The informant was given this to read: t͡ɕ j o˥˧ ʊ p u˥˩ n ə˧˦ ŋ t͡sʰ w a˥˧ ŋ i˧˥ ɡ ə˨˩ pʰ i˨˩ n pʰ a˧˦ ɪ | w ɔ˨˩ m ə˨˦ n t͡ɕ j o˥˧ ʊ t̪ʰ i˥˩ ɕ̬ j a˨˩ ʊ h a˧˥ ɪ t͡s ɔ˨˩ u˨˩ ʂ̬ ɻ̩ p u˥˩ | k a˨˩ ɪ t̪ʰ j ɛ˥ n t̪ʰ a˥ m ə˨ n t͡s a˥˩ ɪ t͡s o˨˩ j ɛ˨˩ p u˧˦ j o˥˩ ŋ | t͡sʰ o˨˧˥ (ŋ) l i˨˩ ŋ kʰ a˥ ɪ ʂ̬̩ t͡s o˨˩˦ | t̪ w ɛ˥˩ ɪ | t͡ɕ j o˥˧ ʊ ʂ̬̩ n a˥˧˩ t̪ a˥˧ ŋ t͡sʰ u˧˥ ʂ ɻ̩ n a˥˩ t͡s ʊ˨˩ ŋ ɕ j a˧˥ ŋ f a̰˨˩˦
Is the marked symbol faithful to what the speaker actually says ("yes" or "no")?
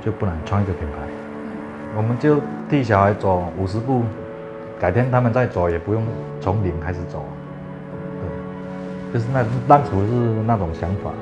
yes